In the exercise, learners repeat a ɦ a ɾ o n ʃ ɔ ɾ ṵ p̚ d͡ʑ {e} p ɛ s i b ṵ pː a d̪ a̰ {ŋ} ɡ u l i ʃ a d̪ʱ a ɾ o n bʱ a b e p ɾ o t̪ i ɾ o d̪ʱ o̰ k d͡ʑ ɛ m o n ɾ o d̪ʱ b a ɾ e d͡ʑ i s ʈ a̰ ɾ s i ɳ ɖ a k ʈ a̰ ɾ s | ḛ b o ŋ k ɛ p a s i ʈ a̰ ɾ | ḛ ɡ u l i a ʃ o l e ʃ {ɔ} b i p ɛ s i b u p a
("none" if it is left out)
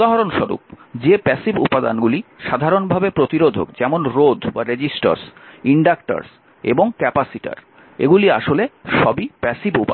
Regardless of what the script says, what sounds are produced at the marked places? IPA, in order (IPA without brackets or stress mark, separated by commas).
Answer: e, n, ɔ